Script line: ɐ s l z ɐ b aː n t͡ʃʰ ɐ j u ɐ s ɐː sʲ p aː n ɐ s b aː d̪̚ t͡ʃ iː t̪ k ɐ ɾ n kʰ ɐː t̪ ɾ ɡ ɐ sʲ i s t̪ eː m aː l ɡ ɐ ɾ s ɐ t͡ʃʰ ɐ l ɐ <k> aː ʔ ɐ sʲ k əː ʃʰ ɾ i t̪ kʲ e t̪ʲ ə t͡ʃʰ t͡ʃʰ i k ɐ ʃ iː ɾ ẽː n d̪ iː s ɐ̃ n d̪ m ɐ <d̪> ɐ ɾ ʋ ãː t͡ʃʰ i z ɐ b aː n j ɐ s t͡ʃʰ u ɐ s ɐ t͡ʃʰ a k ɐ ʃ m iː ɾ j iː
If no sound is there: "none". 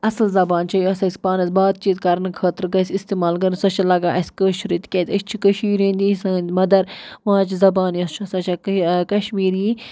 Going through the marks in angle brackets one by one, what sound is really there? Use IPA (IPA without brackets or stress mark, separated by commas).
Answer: ɡ, d̪